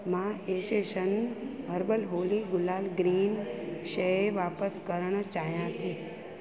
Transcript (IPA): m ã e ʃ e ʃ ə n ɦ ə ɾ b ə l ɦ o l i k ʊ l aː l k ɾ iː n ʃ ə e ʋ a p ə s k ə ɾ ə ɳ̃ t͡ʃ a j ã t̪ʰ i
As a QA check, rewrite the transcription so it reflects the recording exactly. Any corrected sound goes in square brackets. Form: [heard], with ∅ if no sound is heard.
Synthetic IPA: m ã e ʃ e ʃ ə n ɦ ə ɾ b ə l ɦ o l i [ɡ] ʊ l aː l [ɡ] ɾ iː n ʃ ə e ʋ a p ə s k ə ɾ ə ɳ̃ t͡ʃ a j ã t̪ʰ i